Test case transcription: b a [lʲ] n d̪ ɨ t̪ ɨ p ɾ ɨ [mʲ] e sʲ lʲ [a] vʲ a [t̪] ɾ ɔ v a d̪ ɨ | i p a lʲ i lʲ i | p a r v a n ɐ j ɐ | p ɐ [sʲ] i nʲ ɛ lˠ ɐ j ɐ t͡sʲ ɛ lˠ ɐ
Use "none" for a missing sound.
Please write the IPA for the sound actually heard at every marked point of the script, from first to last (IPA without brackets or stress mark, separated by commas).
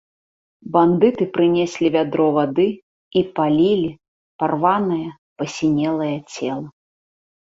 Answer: none, nʲ, i, d̪, sʲ